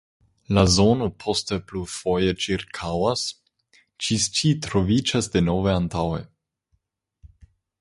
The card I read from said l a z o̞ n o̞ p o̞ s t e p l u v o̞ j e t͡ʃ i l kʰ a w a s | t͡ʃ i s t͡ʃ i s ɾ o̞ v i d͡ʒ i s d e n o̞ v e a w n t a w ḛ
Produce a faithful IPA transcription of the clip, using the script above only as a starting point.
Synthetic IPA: l a z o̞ n o̞ pʰ o̞ s t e p l u f o̞ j e t͡ʃ i ɾ kʰ a w a s | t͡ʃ i s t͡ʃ i t ɾ o̞ v i d͡ʒ a s d e n o̞ v e a n t a w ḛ